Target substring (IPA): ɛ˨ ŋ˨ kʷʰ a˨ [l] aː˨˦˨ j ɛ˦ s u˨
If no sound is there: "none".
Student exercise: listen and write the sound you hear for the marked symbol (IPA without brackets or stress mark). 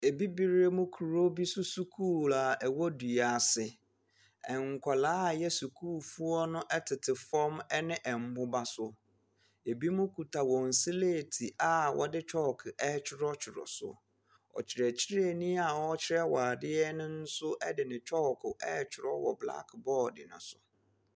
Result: l